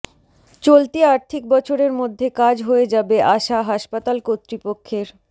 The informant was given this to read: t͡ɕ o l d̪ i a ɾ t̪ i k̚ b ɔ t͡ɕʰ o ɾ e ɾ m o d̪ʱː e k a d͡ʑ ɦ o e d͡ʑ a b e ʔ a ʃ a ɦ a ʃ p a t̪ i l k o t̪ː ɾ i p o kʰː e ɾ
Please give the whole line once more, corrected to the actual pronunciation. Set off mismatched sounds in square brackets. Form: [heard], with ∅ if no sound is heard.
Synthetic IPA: t͡ɕ o l [t̪] i a ɾ [t̪ʰ] i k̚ b ɔ t͡ɕʰ o ɾ e ɾ m o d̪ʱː e k a d͡ʑ ɦ o e d͡ʑ a b e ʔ a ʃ a ɦ a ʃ p a t̪ [a] l k o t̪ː ɾ i p o kʰː e ɾ